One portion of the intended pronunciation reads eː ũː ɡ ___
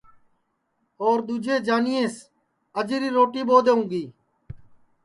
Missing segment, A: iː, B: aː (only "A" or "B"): A